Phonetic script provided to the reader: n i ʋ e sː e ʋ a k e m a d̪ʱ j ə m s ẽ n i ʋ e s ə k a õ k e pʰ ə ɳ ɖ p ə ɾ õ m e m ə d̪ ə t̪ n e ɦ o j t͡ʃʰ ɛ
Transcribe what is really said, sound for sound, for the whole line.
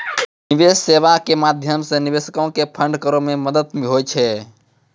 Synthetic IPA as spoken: n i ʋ e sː e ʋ a k e m a d̪ʱ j ə m s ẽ n i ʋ e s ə k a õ k e pʰ ə ɳ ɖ k ə ɾ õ m e m ə d̪ ə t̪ m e ɦ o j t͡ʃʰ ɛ